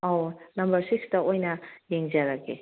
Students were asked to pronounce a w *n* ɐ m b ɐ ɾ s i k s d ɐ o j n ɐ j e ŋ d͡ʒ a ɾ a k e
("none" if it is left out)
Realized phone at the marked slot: n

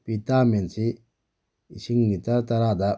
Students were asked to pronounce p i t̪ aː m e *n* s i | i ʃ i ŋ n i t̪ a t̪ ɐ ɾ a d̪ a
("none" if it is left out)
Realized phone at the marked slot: n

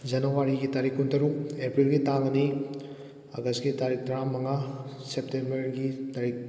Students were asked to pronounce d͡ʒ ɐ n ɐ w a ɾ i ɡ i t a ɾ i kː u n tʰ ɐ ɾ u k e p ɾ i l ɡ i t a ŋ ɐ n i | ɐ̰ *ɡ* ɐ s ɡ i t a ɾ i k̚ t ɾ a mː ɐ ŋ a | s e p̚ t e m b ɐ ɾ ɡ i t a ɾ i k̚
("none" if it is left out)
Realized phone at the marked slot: ɡ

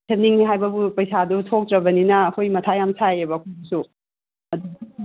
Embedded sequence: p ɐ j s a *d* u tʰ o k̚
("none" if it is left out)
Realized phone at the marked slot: d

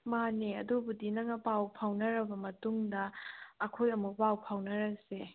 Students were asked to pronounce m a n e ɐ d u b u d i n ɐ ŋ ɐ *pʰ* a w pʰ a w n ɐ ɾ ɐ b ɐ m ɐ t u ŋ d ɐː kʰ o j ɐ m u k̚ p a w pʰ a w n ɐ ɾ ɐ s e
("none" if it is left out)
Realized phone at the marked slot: p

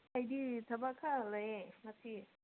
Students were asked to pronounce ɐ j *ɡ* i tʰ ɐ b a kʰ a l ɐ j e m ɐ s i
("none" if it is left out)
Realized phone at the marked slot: d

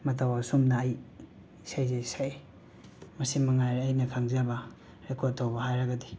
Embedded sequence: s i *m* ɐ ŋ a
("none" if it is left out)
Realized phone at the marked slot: m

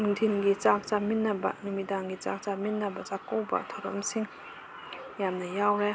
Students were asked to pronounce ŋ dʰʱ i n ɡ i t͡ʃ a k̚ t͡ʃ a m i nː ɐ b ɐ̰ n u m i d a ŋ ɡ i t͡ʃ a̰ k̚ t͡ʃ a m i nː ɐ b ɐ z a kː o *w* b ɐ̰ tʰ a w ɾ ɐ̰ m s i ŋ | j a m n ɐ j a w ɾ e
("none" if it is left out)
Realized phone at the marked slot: w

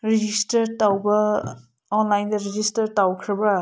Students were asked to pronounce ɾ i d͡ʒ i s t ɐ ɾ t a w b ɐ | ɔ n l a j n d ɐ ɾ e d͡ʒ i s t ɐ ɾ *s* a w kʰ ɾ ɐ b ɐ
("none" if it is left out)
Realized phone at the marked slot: t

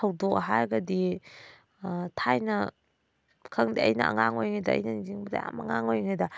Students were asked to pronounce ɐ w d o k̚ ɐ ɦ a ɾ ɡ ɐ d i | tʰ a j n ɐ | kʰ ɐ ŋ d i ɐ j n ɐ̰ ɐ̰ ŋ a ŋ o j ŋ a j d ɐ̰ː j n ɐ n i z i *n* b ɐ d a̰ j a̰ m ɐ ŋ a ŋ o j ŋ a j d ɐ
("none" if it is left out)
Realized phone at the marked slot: ŋ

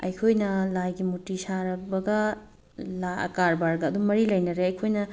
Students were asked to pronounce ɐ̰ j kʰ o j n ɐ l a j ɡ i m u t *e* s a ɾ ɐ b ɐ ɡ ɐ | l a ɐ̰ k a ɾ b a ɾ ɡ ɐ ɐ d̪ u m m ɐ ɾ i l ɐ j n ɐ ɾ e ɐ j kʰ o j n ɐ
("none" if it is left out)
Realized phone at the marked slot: i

